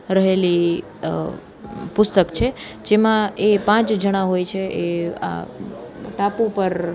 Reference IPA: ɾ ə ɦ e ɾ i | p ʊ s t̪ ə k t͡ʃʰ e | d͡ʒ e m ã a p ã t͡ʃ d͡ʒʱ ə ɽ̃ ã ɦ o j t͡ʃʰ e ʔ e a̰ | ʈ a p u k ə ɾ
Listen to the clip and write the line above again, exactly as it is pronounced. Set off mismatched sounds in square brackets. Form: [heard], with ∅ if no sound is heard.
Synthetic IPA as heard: ɾ ə ɦ e [l] i | p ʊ s t̪ ə k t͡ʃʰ e | d͡ʒ e m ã [e] p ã t͡ʃ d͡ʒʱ ə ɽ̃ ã ɦ o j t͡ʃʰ e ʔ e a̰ | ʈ a p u [p] ə ɾ